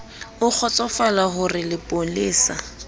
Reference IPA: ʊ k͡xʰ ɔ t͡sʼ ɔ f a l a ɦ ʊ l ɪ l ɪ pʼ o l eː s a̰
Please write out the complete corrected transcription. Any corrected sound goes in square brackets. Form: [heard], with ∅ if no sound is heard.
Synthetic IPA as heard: ʊ k͡xʰ ɔ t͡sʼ ɔ f a l a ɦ ʊ [r] ɪ l ɪ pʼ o l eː s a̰